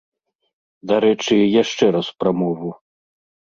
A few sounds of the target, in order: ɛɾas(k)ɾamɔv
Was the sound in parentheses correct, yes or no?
no